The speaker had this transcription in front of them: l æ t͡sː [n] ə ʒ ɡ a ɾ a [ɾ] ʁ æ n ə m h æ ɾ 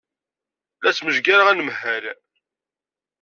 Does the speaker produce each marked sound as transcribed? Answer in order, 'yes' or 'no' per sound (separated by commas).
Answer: no, no